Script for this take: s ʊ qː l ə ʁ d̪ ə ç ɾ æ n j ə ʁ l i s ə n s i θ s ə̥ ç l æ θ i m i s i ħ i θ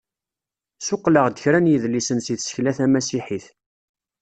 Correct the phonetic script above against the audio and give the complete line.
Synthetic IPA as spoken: s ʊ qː l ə ʁ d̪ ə ç ɾ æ n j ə ð l i s ə n s i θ s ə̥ ç l æ θ æ m æ s i ħ i θ